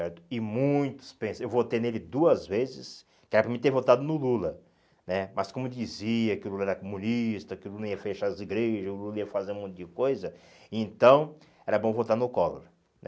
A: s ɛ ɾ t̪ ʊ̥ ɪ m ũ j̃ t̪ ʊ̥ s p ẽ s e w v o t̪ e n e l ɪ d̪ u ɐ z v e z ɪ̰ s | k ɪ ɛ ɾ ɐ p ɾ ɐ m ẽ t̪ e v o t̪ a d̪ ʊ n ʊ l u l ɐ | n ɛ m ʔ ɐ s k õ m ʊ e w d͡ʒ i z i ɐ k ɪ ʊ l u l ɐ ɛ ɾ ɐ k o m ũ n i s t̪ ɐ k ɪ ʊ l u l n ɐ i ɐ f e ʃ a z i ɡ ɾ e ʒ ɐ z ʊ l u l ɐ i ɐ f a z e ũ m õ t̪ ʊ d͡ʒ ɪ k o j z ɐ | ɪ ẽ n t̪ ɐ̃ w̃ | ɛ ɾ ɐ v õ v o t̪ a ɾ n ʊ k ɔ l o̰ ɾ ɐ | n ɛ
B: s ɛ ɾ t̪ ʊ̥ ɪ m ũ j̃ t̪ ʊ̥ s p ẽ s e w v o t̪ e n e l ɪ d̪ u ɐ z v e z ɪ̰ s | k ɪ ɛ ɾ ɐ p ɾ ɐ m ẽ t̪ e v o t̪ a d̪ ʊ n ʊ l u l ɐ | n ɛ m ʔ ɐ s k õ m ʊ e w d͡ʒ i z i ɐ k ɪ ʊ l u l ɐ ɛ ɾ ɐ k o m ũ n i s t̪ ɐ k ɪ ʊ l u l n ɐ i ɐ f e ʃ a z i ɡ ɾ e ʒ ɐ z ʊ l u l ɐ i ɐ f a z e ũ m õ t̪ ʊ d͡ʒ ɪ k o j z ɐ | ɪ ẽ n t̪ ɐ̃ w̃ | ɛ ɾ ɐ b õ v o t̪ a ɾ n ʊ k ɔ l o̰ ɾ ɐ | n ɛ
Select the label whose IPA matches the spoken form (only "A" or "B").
B